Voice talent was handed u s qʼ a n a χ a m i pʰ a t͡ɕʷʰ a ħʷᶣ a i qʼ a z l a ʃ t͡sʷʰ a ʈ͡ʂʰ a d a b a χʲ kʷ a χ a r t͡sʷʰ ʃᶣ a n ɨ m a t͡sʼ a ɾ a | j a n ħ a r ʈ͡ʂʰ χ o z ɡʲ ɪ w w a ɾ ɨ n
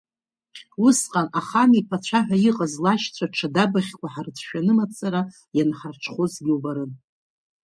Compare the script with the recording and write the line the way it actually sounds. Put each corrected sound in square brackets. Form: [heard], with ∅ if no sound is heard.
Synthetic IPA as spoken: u s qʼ a n a χ a m i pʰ a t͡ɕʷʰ a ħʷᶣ a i qʼ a z l a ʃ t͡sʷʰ a ʈ͡ʂʰ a d a b a χʲ kʷ a [ħ] a r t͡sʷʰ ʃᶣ a n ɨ m a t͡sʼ a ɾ a | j a n ħ a r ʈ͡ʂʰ χ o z ɡʲ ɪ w [b] a ɾ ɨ n